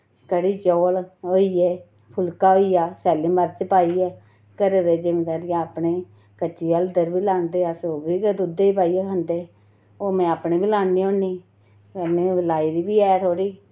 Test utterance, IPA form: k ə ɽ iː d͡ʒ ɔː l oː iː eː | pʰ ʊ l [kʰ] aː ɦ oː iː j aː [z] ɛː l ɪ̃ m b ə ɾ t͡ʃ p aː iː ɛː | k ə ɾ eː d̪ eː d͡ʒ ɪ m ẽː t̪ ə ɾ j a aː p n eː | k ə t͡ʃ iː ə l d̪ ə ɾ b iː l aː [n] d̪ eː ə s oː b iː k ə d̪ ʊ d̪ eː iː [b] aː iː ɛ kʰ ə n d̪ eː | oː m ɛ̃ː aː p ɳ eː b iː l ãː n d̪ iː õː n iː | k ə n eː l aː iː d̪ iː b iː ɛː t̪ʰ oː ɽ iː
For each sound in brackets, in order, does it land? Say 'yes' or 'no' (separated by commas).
no, no, yes, no